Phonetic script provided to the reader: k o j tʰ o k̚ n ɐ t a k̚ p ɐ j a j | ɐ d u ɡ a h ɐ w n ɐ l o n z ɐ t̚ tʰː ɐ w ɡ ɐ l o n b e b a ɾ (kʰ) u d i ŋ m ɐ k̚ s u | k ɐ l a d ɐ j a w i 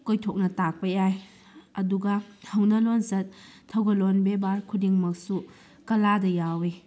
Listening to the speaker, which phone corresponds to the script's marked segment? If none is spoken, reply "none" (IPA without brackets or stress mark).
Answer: kʰ